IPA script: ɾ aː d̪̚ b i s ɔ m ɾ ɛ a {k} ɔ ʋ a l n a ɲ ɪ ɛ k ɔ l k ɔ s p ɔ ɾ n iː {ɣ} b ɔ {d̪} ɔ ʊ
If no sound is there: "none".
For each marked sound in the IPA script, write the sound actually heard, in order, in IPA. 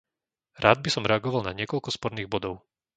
ɡ, ɣ, d̪

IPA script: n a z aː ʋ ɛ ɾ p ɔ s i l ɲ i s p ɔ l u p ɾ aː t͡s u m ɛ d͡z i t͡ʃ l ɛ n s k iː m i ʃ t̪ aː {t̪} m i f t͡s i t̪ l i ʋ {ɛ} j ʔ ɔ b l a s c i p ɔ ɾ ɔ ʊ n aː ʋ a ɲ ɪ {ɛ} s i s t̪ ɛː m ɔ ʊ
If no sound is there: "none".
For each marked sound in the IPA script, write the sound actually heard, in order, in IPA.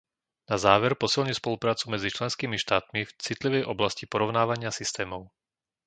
t̪, ɛ, a

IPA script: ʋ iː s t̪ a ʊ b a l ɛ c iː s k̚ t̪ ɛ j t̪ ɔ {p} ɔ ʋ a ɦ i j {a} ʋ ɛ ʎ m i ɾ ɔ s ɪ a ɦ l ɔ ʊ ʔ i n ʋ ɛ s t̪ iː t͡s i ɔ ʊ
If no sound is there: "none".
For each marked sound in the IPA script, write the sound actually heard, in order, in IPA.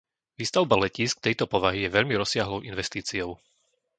p, ɛ

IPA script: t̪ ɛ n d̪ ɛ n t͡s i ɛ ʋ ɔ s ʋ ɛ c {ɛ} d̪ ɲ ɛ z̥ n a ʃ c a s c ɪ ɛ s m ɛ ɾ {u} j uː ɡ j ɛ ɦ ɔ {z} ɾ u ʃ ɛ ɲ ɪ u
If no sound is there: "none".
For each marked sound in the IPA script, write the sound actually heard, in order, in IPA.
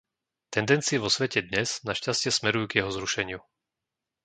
ɛ, u, z

